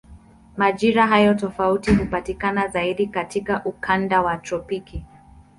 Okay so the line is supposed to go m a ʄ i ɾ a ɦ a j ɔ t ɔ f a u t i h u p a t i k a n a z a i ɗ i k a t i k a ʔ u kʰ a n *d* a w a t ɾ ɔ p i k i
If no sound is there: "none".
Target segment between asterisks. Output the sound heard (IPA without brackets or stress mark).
d